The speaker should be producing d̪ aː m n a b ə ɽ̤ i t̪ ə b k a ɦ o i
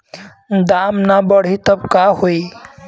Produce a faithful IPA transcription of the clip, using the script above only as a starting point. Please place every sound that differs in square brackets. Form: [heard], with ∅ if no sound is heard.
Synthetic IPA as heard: d̪ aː m n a b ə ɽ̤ i t̪ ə b k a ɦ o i